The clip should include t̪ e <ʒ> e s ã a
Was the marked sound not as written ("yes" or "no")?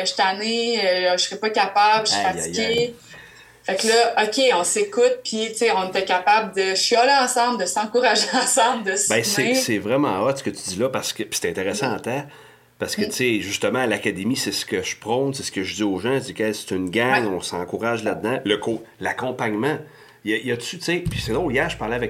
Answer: yes